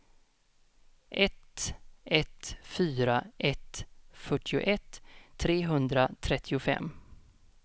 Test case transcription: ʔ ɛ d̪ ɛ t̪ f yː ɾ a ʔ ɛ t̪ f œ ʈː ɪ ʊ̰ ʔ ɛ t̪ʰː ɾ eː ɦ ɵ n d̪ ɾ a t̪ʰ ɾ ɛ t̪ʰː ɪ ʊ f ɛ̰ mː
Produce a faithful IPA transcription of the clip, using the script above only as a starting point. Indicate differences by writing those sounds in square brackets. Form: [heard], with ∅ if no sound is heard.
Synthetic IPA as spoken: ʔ ɛ [t̪] ɛ t̪ f yː ɾ a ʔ ɛ t̪ f œ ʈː ɪ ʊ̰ ʔ ɛ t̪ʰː ɾ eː ɦ ɵ n d̪ ɾ a t̪ʰ ɾ ɛ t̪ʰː ɪ ʊ f ɛ̰ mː

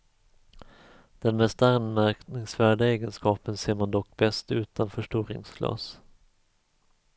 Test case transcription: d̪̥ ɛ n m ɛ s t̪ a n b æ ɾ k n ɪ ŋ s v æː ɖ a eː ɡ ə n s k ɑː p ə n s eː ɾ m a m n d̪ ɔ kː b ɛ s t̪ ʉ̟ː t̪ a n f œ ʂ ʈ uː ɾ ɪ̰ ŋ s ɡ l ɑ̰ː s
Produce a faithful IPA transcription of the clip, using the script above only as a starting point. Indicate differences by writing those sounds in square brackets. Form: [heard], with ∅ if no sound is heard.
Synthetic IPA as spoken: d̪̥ ɛ n m ɛ s t̪ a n [m] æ ɾ k n ɪ ŋ s v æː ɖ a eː ɡ ə n s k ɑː p ə n s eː ɾ m a [∅] n d̪ ɔ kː b ɛ s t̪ ʉ̟ː t̪ a n f œ ʂ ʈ uː ɾ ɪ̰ ŋ s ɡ l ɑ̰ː s

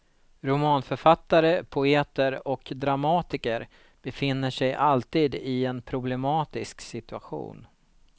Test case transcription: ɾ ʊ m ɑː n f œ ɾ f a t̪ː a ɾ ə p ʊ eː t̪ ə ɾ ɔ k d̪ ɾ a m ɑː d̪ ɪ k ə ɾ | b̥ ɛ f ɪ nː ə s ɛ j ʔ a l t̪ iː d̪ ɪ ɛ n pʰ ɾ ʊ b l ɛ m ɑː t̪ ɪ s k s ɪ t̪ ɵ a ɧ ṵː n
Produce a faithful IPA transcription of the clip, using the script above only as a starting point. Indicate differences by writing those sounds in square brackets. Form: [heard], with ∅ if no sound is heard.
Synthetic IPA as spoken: ɾ ʊ m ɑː n f œ ɾ f a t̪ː a ɾ ə [pʰ] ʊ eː t̪ ə ɾ ɔ k d̪ ɾ a m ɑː [t̪] ɪ k ə ɾ | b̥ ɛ f ɪ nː ə [ʂ] ɛ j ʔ a l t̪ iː d̪ ɪ ɛ n pʰ ɾ ʊ b l ɛ m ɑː t̪ ɪ s k s ɪ t̪ ɵ a ɧ ṵː n

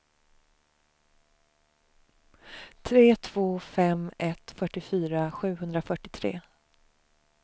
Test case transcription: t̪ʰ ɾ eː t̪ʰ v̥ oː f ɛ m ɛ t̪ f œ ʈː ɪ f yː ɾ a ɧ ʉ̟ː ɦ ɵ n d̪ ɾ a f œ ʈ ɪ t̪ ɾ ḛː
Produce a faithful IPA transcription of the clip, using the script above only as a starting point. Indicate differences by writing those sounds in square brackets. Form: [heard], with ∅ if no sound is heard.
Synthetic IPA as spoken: t̪ʰ ɾ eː t̪ʰ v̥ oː f ɛ m ɛ t̪ f œ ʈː ɪ f yː ɾ a ɧ ʉ̟ː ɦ ɵ n d̪ ɾ a f œ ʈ ɪ [t̪ʰ] ɾ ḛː

